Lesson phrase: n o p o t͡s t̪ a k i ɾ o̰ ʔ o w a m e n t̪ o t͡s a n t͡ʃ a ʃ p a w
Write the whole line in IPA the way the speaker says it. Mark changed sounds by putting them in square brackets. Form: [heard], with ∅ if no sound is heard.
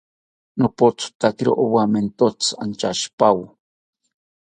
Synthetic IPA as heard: n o p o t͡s t̪ a k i ɾ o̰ ʔ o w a m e n t̪ o t͡s a n t͡ʃ a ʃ p a w